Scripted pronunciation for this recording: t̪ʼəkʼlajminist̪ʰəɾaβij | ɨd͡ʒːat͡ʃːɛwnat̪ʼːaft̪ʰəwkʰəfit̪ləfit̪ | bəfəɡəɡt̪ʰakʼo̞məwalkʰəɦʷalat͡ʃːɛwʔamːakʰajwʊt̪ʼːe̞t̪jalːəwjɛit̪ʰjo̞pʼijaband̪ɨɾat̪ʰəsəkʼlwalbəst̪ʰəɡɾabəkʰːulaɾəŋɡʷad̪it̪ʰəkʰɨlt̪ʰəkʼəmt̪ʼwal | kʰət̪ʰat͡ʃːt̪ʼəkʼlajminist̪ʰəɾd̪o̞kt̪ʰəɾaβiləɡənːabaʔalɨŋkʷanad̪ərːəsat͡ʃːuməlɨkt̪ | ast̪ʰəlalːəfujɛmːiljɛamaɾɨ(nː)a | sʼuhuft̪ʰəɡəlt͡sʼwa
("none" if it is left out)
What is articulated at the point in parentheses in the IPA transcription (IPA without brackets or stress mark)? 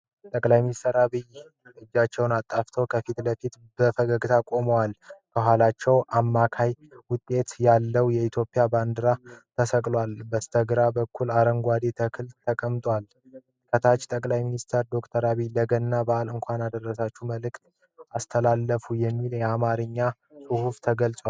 ɲː